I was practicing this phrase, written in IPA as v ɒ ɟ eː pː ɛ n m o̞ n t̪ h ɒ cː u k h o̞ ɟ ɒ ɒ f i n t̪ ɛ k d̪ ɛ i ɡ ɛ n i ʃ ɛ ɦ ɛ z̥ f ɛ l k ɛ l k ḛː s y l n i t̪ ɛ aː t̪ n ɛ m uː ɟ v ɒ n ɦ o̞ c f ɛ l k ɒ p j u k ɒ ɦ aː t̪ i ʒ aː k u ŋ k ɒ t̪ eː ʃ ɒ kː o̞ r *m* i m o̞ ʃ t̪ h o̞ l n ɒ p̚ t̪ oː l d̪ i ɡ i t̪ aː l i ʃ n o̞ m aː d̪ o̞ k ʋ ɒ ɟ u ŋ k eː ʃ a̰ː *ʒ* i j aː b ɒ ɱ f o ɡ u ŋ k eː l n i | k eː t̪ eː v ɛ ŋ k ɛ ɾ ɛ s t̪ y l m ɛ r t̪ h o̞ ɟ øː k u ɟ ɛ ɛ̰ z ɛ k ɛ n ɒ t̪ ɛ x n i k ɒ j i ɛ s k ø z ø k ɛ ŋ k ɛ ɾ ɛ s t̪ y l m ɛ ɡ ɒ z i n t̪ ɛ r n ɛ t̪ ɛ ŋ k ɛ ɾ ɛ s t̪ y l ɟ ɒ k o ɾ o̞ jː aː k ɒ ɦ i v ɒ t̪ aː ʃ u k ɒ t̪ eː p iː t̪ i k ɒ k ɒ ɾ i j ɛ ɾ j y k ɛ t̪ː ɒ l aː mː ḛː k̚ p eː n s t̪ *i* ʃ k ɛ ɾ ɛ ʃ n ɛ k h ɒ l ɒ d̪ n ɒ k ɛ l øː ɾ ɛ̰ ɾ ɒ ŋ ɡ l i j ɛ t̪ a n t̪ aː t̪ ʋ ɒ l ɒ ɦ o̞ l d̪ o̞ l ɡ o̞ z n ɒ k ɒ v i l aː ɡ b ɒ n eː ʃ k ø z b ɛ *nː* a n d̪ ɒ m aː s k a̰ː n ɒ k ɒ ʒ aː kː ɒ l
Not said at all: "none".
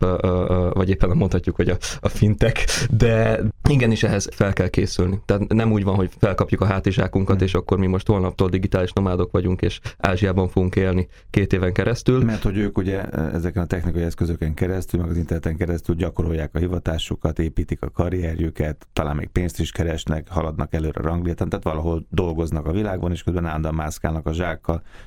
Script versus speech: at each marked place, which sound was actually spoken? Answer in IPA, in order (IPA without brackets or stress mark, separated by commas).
m, ʒ, i, n